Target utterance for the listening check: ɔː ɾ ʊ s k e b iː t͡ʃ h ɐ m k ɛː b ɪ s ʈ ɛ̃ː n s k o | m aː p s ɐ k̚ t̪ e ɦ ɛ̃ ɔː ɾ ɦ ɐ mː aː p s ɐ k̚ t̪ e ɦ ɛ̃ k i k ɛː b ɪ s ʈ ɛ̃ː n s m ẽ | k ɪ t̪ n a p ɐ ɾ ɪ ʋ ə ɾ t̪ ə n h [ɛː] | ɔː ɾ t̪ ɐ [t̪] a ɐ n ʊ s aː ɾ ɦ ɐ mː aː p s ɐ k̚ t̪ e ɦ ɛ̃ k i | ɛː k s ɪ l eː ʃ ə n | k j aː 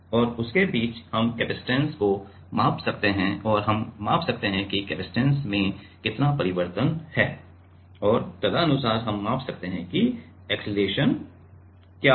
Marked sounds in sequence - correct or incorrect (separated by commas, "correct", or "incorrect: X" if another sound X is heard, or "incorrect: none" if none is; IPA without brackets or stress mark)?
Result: correct, incorrect: d̪